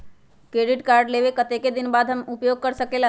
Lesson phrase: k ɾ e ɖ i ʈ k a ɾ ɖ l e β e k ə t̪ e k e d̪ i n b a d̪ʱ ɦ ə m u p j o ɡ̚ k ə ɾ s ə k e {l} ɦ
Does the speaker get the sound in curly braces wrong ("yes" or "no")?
no